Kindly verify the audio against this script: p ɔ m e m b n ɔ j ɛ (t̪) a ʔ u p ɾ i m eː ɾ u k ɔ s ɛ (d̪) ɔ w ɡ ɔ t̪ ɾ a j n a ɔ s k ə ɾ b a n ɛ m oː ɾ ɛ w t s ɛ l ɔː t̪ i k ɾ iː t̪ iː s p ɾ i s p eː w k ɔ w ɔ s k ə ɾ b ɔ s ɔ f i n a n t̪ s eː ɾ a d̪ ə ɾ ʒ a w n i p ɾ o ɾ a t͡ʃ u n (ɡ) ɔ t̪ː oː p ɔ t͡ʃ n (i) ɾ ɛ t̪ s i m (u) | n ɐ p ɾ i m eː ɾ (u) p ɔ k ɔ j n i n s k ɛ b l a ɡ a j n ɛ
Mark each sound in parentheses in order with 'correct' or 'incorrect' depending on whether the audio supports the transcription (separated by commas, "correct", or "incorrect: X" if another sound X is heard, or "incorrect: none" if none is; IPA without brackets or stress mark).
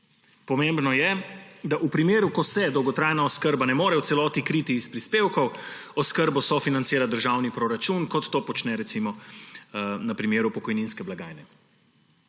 incorrect: d̪, correct, incorrect: k, incorrect: ɛ, incorrect: ɔ, correct